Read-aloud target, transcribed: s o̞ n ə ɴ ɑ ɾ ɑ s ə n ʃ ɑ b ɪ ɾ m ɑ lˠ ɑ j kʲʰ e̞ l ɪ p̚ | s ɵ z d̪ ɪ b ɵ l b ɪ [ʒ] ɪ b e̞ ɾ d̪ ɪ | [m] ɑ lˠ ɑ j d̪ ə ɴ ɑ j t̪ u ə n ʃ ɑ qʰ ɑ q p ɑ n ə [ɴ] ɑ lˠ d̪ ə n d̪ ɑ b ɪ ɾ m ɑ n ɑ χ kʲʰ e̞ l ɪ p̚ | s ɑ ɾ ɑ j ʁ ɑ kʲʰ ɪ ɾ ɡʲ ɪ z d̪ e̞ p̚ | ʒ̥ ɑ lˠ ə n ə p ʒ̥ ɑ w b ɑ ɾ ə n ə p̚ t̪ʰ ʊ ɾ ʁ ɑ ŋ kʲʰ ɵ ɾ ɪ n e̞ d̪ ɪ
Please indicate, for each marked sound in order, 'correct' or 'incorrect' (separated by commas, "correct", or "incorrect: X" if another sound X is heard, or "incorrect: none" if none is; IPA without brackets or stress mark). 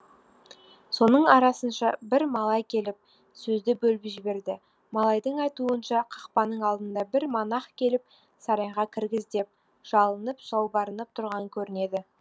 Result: correct, correct, correct